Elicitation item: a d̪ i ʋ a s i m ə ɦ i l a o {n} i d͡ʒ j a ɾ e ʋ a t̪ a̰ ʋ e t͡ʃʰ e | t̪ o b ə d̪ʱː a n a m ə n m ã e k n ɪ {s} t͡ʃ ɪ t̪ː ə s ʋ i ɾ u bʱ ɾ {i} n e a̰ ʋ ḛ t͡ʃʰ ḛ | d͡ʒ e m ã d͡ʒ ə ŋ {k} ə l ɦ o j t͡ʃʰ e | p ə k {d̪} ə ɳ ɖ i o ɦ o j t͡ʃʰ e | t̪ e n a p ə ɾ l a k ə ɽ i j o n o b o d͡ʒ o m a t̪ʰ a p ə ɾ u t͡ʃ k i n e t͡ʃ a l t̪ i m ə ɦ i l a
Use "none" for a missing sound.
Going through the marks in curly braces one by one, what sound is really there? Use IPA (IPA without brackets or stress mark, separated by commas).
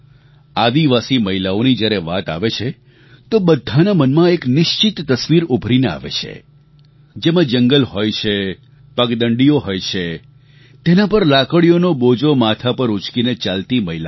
n, ʃ, i, ɡ, d̪